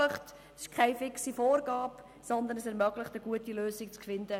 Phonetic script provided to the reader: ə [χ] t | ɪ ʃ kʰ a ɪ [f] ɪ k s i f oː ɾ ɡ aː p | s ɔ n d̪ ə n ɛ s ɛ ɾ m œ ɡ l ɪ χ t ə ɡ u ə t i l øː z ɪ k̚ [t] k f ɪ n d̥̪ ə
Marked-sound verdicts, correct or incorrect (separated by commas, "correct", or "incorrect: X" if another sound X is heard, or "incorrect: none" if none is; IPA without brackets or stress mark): correct, correct, incorrect: t͡s